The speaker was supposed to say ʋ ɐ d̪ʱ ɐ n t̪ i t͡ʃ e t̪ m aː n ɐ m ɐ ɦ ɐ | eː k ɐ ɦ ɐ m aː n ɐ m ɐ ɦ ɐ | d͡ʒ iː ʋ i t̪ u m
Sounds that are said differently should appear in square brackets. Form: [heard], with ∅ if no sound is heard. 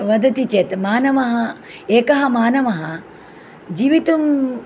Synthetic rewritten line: ʋ ɐ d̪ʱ ɐ [∅] t̪ i t͡ʃ e t̪ m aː n ɐ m ɐ ɦ ɐ | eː k ɐ ɦ ɐ m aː n ɐ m ɐ ɦ ɐ | d͡ʒ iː ʋ i t̪ u m